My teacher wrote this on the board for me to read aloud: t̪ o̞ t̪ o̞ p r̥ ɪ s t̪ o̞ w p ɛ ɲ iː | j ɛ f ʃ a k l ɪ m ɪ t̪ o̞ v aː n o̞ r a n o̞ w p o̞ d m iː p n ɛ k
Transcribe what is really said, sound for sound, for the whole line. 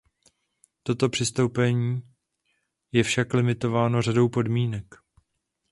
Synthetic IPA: t̪ o̞ t̪ o̞ p r̥ ɪ s t̪ o̞ w p ɛ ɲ iː | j ɛ f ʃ a k l ɪ m ɪ t̪ o̞ v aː n o̞ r a d o̞ w p o̞ d m iː n ɛ k